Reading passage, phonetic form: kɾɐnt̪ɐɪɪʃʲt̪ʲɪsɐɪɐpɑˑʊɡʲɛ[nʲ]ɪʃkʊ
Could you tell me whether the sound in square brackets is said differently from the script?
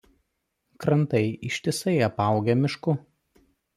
yes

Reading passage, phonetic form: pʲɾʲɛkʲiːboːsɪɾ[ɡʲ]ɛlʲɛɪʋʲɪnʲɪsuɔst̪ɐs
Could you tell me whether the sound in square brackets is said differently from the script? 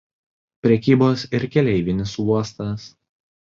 yes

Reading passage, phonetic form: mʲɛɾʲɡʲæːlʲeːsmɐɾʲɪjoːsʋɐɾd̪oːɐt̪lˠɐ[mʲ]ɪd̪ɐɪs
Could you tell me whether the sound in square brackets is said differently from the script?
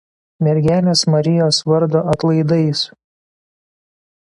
yes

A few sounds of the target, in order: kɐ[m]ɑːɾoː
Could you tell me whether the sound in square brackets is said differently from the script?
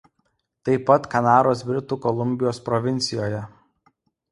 yes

